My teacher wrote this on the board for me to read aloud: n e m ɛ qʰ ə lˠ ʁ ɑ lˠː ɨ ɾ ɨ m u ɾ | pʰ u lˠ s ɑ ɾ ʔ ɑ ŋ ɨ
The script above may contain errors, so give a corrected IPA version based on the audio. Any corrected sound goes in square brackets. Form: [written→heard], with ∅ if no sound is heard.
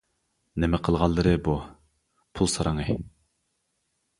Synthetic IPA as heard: n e m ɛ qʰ ə lˠ ʁ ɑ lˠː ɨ ɾ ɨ [m→b] u [ɾ→∅] | pʰ u lˠ s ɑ ɾ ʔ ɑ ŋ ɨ